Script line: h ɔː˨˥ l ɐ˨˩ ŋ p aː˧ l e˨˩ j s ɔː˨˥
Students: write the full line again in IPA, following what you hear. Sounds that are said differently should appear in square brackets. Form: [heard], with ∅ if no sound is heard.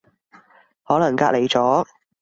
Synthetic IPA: h ɔː˨˥ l ɐ˨˩ ŋ [k] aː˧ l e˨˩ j [t͡s] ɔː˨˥